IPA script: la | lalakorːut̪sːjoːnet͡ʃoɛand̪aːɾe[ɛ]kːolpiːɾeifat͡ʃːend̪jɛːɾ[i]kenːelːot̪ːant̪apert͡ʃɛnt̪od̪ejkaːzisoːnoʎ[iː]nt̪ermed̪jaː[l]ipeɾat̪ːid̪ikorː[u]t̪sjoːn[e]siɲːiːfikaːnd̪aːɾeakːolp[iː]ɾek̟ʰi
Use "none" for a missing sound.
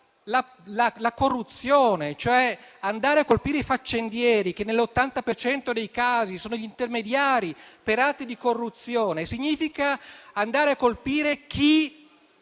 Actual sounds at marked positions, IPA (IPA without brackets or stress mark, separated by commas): a, i, i, ɾ, u, e, iː